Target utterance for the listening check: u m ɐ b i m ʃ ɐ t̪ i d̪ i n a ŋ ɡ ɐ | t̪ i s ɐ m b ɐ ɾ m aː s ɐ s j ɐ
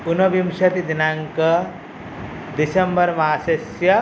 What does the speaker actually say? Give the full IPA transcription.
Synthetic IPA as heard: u n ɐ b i m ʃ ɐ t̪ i d̪ i n a ŋ k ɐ | d̪ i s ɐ m b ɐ ɾ m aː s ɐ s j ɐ